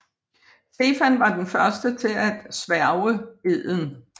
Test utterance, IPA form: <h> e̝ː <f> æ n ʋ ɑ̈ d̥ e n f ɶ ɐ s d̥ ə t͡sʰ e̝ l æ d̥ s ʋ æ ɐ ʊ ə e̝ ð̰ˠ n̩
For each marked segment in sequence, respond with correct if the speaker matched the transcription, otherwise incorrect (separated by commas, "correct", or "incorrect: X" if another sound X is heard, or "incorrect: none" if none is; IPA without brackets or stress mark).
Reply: incorrect: s, correct